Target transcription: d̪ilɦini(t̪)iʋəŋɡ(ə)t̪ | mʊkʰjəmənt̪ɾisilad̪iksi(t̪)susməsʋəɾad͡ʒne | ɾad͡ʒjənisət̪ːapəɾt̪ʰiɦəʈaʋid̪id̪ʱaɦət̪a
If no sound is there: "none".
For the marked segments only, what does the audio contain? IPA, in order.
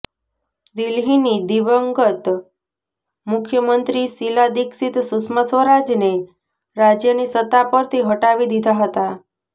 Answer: d̪, ə, t̪

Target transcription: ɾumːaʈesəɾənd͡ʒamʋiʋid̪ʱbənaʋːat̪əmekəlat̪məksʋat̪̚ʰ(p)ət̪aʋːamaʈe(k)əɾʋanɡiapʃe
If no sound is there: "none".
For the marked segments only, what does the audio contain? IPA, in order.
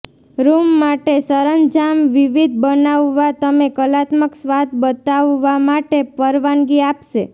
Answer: b, p

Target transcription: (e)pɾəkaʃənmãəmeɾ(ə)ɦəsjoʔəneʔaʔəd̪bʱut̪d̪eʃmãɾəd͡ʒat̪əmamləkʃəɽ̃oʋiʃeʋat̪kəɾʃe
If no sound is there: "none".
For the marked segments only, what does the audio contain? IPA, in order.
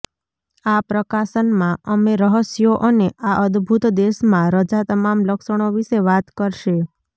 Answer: a, ə

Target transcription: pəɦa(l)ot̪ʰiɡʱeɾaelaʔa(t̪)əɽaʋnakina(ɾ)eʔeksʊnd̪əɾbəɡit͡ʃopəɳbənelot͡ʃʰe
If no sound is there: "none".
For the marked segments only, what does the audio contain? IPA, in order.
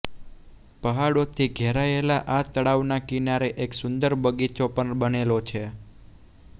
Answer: ɽ, t̪, ɾ

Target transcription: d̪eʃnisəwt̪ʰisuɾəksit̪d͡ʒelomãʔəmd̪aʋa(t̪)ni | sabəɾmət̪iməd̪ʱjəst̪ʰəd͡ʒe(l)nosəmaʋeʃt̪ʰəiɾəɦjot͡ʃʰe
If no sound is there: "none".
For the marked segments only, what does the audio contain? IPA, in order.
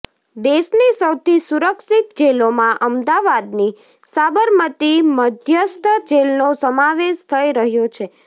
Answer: d̪, l

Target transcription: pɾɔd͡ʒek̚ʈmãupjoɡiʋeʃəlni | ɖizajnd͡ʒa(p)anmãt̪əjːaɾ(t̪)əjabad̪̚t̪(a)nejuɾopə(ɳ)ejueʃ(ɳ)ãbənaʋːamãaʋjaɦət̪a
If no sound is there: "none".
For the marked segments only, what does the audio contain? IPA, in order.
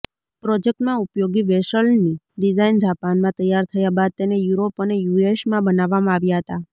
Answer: p, t̪ʰ, e, n, m

